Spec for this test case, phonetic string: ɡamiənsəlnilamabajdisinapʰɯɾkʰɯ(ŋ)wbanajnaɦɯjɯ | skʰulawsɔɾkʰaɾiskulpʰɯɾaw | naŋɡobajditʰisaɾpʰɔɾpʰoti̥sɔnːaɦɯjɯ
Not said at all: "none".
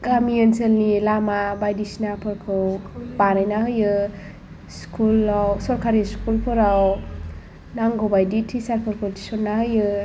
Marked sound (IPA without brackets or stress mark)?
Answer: none